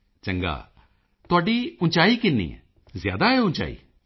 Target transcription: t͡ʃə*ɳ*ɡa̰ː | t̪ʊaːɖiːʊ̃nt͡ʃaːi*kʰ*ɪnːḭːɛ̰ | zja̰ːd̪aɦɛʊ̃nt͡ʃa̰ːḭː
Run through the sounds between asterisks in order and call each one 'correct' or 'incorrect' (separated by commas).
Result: incorrect, incorrect